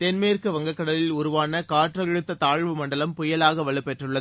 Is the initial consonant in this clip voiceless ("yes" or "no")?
yes